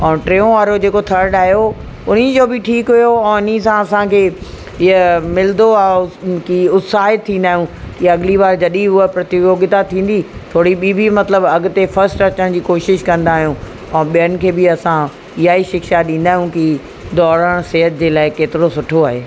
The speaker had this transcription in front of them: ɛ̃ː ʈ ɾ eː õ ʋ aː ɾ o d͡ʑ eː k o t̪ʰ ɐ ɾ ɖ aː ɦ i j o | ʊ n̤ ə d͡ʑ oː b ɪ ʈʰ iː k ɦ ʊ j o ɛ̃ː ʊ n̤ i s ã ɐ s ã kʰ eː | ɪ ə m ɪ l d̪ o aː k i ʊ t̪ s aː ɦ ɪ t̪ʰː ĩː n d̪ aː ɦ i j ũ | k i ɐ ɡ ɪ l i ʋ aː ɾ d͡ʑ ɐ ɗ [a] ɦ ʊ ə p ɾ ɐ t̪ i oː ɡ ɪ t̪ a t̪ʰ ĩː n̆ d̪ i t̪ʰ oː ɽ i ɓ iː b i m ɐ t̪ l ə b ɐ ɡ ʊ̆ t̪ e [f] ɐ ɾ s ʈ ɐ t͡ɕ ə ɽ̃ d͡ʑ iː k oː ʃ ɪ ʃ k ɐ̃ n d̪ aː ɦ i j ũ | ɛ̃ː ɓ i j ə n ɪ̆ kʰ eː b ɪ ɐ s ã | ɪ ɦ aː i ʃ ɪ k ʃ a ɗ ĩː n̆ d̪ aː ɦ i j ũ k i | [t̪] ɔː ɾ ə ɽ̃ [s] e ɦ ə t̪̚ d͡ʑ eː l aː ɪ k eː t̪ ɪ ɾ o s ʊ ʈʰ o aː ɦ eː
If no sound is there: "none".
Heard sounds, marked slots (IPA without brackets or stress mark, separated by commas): i, f, d̪, s